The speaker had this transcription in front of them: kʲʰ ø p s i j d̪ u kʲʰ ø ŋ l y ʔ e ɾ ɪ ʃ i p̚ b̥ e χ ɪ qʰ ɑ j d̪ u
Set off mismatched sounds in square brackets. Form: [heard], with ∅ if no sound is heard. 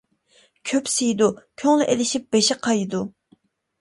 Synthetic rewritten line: kʲʰ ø p s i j d̪ u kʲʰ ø ŋ l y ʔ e [l] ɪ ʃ i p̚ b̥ e [ʃ] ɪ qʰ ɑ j d̪ u